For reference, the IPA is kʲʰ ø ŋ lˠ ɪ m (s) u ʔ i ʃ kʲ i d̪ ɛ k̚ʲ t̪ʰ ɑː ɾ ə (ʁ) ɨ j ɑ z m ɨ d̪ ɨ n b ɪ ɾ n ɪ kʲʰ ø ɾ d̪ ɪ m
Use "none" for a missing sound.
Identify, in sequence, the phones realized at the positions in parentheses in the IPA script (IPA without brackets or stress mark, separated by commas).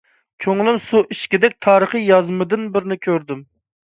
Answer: s, χ